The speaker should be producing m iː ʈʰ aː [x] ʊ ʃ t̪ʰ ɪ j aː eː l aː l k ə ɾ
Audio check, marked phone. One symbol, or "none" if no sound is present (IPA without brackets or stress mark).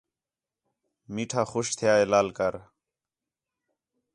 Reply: x